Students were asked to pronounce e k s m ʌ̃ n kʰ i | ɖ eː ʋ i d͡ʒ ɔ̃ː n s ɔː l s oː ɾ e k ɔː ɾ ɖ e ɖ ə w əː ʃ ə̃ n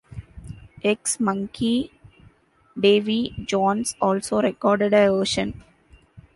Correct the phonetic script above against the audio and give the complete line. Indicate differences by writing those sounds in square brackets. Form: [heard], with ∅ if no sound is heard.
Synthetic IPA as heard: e k s m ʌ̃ [ŋ] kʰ i | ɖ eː ʋ i d͡ʒ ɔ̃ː n s ɔː l s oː ɾ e k ɔː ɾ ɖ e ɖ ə [ʋ] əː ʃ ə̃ n

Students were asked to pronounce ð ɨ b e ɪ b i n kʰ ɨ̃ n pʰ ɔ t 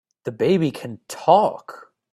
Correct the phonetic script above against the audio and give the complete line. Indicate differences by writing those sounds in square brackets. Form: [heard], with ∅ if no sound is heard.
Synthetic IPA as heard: ð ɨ b e ɪ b i [∅] kʰ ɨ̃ n [tʰ] ɔ [k]

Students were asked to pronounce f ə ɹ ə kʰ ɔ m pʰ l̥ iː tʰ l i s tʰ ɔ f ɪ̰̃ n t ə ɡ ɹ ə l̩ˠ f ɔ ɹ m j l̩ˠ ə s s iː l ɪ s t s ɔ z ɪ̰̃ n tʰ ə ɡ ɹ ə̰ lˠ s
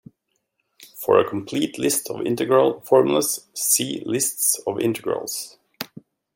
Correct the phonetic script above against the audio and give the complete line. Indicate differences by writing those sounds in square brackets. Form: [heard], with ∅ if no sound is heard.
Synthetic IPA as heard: f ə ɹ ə kʰ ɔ m pʰ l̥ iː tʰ l [ɪ] s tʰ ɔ [v] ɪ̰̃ n t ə ɡ ɹ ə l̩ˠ f ɔ ɹ m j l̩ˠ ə s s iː l ɪ s t s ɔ [v] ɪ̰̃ n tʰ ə ɡ ɹ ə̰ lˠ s

